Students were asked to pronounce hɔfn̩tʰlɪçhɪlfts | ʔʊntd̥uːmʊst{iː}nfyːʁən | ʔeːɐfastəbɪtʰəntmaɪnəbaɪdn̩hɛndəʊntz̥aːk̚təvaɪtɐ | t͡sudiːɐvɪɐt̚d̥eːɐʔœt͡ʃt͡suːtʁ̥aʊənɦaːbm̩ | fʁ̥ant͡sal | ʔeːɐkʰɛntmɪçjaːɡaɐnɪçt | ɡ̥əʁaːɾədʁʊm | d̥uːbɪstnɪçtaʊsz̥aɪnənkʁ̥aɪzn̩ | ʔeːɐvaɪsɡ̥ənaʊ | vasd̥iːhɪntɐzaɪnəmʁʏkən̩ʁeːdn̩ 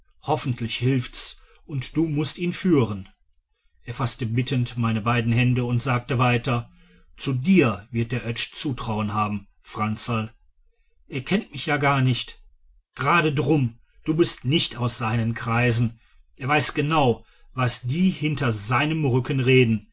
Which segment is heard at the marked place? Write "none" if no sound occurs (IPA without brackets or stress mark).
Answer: iː